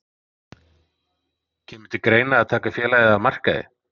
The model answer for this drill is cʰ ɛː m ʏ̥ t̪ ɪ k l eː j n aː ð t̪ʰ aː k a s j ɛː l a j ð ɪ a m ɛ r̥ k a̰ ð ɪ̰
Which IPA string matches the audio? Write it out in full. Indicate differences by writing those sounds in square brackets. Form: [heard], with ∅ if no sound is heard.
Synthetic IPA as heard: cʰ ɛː m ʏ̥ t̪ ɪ k [ɾ] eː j n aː ð t̪ʰ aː k a [f] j ɛː l a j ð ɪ a m [a] r̥ k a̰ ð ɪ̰